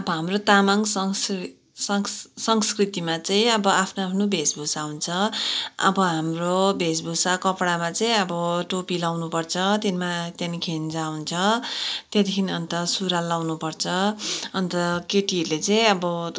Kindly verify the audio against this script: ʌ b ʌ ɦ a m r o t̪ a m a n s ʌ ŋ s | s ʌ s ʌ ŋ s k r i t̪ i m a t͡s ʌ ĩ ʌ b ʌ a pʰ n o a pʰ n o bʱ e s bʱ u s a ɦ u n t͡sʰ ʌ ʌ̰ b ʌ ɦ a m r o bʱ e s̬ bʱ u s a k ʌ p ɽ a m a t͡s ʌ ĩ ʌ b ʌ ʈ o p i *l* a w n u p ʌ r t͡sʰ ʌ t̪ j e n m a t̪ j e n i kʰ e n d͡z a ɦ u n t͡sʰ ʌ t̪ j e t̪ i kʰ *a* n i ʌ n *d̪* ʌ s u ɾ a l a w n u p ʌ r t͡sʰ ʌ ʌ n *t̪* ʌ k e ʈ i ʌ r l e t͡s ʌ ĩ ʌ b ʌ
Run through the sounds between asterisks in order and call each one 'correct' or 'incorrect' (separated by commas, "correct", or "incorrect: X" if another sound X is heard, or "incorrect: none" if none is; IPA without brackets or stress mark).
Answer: correct, incorrect: i, incorrect: t̪, correct